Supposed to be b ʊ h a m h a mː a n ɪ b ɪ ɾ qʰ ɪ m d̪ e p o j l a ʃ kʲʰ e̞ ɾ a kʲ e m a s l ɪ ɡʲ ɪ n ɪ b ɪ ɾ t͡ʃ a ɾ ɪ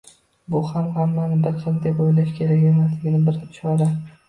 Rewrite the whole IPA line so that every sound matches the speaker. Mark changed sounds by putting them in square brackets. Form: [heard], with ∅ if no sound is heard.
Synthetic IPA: b ʊ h a m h a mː a n ɪ b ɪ ɾ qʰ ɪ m d̪ e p o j l a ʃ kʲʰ e̞ ɾ a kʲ e m a s l ɪ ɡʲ ɪ n ɪ b ɪ ɾ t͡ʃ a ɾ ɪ